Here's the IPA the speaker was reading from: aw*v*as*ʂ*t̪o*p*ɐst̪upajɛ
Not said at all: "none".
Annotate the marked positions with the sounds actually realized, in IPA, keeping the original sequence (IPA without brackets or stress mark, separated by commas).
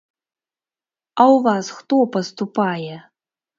v, x, p